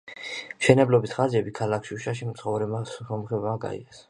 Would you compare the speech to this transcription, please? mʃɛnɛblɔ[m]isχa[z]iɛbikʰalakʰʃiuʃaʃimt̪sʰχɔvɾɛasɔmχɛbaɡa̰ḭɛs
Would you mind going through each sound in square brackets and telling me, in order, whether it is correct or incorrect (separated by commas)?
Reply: incorrect, correct